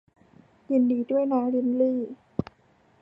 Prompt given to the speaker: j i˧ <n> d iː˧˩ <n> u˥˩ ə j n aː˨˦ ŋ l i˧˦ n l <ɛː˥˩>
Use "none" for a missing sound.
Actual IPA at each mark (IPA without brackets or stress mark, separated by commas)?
n, d, iː˥˩